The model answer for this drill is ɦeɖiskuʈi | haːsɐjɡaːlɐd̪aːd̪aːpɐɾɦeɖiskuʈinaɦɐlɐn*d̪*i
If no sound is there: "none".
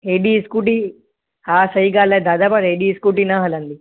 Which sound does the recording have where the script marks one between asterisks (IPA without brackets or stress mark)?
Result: d̪